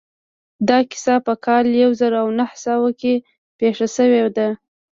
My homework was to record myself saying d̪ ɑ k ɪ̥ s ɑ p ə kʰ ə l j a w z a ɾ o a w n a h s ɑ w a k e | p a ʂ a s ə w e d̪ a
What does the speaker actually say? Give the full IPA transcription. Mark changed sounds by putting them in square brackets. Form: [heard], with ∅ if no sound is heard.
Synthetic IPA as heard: d̪ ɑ k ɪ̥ s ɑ p ə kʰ [ɑ] l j a w z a ɾ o a w n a h s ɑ w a k e | p [e] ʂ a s ə w e d̪ a